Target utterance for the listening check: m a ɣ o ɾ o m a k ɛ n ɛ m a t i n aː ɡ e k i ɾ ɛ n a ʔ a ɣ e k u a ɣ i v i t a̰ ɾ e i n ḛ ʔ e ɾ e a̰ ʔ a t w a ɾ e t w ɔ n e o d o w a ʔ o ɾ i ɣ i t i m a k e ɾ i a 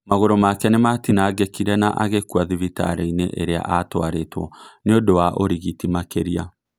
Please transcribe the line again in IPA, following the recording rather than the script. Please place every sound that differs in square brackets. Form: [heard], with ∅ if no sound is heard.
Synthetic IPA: m a ɣ o ɾ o m a k ɛ n [e] m a t i n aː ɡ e k i ɾ ɛ n a ʔ a ɣ e k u a [ð] i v i t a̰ ɾ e i n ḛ ʔ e ɾ e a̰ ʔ a t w a ɾ e t w ɔ n e o d o w a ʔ o ɾ i ɣ i t i m a k e ɾ i a

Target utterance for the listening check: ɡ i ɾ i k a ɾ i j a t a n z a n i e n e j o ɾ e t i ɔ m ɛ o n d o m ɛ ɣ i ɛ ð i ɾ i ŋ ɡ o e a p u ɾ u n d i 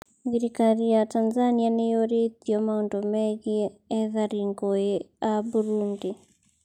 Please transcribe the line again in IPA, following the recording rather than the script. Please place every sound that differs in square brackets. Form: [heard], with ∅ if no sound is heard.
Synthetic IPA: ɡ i ɾ i k a ɾ i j a t a n z a n i [a] n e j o ɾ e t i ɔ m [a] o n d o m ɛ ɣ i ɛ ð [a] ɾ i ŋ ɡ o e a [b] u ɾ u n d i

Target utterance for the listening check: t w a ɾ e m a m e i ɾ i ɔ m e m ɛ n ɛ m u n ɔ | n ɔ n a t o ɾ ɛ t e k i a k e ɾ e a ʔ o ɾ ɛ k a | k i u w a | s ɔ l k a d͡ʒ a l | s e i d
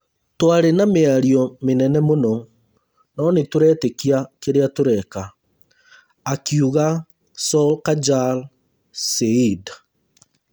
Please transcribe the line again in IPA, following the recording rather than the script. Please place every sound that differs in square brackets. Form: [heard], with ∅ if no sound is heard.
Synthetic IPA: t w a ɾ e [n] a m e [a] ɾ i ɔ m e [n] ɛ n ɛ m [o] n ɔ | n ɔ n [e] t o ɾ ɛ t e k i a k e ɾ e a [t] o ɾ ɛ k a | k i u [ɣ] a | s ɔ l k a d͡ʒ a l | s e i d

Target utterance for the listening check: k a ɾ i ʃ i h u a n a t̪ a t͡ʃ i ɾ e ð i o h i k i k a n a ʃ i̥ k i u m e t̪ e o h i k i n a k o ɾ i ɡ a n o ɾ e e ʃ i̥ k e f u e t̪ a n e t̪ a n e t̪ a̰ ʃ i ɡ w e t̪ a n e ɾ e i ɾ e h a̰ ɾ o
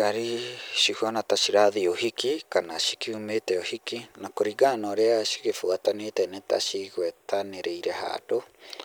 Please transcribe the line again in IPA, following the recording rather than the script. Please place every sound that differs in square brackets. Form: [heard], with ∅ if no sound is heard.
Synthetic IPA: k a ɾ i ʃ i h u a n a t̪ a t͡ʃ i ɾ [a] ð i o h i k i k a n a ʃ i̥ k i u m e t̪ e o h i k i n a k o ɾ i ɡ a n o ɾ e [a] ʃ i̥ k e f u [a] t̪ a n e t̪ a n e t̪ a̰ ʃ i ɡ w e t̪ a n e ɾ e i ɾ e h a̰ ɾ o

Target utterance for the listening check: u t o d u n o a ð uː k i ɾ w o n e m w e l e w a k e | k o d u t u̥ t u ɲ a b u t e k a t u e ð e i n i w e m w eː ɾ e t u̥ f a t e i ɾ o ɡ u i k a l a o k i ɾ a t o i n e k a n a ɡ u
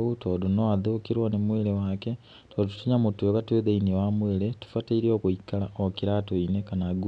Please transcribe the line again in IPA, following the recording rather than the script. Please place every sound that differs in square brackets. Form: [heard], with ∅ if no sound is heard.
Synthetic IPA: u t o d u n o a ð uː k i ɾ w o n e m w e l e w a k e | [t] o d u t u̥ t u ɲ a [m] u t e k a t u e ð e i n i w [a] m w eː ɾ e t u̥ f a t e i ɾ o [k] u i k a l a o k i ɾ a t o i n e k a n a ɡ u

